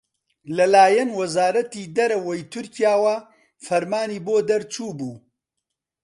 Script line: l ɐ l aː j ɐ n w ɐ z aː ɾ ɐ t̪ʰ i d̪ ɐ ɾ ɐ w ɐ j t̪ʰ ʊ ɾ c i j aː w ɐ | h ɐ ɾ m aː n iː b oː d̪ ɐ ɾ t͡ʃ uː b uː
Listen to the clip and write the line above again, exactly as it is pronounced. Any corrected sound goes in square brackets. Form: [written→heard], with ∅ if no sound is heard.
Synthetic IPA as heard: l ɐ l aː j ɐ n w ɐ z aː ɾ ɐ [t̪ʰ→t̪] i d̪ ɐ ɾ ɐ w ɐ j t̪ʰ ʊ ɾ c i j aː w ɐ | [h→f] ɐ ɾ m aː n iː b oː d̪ ɐ ɾ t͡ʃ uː b uː